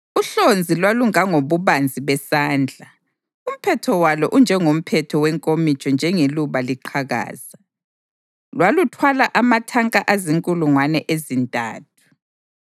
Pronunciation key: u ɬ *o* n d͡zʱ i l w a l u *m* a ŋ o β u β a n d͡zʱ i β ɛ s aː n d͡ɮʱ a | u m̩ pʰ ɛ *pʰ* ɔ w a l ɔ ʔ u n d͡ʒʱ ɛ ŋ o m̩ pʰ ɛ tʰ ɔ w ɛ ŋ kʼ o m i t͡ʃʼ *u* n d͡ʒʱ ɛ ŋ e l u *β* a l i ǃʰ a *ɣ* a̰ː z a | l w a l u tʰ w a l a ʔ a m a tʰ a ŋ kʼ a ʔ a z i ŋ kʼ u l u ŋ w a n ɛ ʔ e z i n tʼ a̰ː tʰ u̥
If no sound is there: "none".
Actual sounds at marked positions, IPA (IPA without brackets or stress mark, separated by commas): o, ŋ, tʰ, ɔ, β, ɣ